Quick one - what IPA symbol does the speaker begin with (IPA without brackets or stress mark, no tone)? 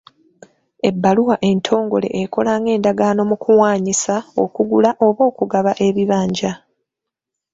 e̞